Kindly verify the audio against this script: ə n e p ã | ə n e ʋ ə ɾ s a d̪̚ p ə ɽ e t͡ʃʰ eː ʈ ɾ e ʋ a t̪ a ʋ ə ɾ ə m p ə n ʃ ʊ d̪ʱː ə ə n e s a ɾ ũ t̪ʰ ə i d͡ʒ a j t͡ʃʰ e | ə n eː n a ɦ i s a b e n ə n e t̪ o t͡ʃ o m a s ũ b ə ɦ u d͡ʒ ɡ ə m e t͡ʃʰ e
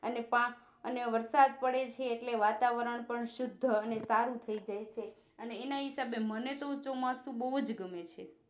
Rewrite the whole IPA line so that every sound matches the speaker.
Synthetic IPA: ə n e p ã | ə n e ʋ ə ɾ s a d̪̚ p ə ɽ e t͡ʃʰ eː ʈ l e ʋ a t̪ a ʋ ə ɾ ə ɳ p ə ɳ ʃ ʊ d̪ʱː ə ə n e s a ɾ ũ t̪ʰ ə i d͡ʒ a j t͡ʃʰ e | ə n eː n a ɦ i s a b e m ə n e t̪ o t͡ʃ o m a s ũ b ə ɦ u d͡ʒ ɡ ə m e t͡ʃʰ e

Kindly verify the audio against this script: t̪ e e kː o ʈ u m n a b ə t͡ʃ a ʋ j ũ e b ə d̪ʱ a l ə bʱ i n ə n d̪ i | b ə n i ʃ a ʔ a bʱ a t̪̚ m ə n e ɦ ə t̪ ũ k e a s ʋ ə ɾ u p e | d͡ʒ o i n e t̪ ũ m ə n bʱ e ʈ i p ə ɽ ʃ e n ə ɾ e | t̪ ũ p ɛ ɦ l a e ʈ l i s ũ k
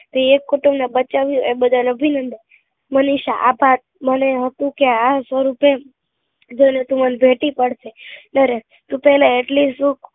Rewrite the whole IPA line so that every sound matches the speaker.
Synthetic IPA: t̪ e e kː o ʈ u m n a b ə t͡ʃ a ʋ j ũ e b ə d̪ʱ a l ə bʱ i n ə n d̪ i | m ə n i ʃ a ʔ a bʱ a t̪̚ m ə n e ɦ ə t̪ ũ k e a s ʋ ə ɾ u p e | d͡ʒ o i n e t̪ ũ m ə n bʱ e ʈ i p ə ɽ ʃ e n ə ɾ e | t̪ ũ p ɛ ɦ l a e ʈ l i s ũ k

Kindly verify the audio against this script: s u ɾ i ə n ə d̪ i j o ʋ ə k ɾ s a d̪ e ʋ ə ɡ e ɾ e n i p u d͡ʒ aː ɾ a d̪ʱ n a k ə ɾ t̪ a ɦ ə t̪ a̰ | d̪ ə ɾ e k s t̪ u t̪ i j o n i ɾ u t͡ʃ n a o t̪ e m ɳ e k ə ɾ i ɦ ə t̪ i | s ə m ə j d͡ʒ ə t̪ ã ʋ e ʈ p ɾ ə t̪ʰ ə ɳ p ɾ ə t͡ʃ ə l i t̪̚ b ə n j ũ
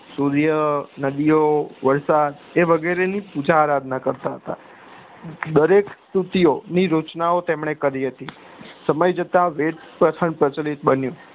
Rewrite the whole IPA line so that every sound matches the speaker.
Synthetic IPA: s u ɾ j ə n ə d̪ i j o ʋ ə ɾ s a d̪ e ʋ ə ɡ e ɾ e n i p u d͡ʒ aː ɾ a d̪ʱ n a k ə ɾ t̪ a ɦ ə t̪ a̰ | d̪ ə ɾ e k s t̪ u t̪ i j o n i ɾ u t͡ʃ n a o t̪ e m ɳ e k ə ɾ i ɦ ə t̪ i | s ə m ə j d͡ʒ ə t̪ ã ʋ e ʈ p ɾ ə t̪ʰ ə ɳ p ɾ ə t͡ʃ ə l i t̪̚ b ə n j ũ

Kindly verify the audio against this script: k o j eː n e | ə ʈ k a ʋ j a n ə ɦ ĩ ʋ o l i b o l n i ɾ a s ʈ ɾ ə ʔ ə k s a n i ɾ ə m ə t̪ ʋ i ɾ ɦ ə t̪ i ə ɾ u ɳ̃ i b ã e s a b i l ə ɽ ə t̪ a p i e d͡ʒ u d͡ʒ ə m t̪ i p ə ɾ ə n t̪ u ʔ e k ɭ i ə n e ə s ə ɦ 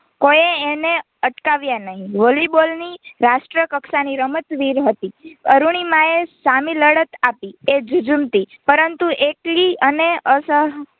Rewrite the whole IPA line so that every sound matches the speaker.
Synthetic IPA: k o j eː n e | ə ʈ k a ʋ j a n ə ɦ ĩ ʋ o l i b o l n i ɾ a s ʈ ɾ ə k ə k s a n i ɾ ə m ə t̪ ʋ i ɾ ɦ ə t̪ i ə ɾ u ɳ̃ i m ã e s a m i l ə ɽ ə t̪ a p i e d͡ʒ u d͡ʒ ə m t̪ i p ə ɾ ə n t̪ u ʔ e k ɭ i ə n e ə s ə ɦ

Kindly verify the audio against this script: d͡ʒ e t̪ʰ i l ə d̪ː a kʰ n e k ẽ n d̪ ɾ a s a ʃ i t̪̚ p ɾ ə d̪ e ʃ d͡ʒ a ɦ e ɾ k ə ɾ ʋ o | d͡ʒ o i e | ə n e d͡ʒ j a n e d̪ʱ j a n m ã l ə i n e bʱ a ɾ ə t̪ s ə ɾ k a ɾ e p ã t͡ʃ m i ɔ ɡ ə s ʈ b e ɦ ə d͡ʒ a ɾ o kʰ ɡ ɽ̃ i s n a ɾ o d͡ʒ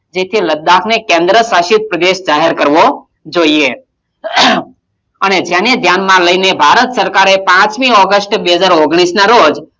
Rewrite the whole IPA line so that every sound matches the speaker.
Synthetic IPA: d͡ʒ e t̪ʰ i l ə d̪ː a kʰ n e k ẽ n d̪ ɾ ə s a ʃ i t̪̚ p ɾ ə d̪ e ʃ d͡ʒ a ɦ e ɾ k ə ɾ ʋ o | d͡ʒ o i e | ə n e d͡ʒ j a n e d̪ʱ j a n m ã l ə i n e bʱ a ɾ ə t̪ s ə ɾ k a ɾ e p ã t͡ʃ m i ɔ ɡ ə s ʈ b e ɦ ə d͡ʒ a ɾ o ɡ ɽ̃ i s n a ɾ o d͡ʒ

